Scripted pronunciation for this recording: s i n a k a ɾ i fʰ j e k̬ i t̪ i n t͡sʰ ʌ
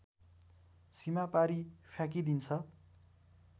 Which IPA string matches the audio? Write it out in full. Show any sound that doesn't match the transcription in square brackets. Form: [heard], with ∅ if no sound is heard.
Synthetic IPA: s i [m] a [p] a ɾ i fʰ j [a] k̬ i [d̪] i n t͡sʰ ʌ